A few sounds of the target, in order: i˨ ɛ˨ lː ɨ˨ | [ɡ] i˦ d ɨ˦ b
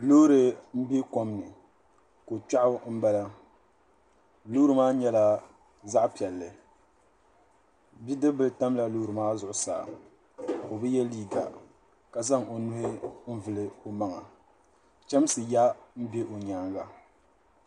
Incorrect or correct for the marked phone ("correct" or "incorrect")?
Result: incorrect